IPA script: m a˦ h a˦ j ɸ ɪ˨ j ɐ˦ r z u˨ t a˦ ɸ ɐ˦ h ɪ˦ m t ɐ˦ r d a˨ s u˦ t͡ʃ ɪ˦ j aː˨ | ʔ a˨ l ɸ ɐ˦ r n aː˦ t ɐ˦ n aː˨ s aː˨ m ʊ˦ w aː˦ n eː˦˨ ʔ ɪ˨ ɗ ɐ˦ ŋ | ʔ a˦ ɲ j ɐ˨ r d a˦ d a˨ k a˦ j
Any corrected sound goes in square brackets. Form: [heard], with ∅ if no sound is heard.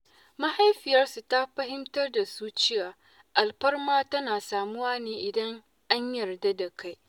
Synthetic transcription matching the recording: m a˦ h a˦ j ɸ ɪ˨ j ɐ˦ r [s] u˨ t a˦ ɸ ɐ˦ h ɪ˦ m t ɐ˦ r d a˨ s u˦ t͡ʃ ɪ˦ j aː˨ | ʔ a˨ l ɸ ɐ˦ r [m] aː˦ t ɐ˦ n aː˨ s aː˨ m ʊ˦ w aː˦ n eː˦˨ ʔ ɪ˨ [d] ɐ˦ ŋ | ʔ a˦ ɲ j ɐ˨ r d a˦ d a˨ k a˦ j